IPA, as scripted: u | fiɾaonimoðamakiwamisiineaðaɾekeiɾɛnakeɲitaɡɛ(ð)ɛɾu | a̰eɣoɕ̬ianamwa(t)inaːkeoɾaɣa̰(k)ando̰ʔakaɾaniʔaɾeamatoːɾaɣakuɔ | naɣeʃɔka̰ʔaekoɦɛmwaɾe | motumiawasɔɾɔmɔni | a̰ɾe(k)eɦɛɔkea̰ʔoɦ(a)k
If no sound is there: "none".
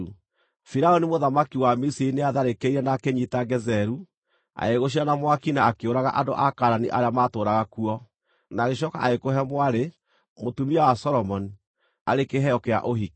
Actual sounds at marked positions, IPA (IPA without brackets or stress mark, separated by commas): z, k, ʔ, k, i